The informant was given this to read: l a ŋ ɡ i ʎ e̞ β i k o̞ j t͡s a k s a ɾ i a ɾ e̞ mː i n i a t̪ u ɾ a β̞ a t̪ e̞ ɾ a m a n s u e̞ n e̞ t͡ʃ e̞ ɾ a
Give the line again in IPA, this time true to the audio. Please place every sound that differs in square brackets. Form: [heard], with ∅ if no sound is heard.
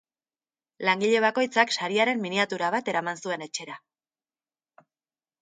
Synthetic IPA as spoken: l a ŋ ɡ i ʎ e̞ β [a] k o̞ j t͡s a k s a ɾ i a ɾ e̞ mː i n i a t̪ u ɾ a β̞ a t̪ e̞ ɾ a m a n s u e̞ n e̞ t͡ʃ e̞ ɾ a